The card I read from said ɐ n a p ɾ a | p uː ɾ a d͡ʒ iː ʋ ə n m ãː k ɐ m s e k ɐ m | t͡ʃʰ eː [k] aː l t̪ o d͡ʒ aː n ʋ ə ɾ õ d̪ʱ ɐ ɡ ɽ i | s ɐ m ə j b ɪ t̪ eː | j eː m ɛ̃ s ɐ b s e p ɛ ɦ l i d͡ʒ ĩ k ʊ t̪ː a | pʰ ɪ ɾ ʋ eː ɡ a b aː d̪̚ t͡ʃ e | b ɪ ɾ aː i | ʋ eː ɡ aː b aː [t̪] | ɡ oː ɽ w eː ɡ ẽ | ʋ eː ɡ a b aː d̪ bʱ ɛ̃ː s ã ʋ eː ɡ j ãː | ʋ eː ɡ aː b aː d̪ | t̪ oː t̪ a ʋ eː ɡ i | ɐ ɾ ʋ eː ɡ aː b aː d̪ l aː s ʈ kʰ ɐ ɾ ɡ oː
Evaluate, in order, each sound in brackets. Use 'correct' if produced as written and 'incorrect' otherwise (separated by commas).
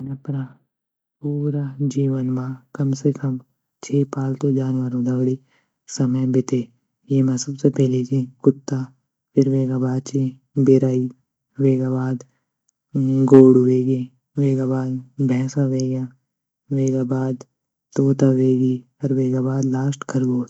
incorrect, incorrect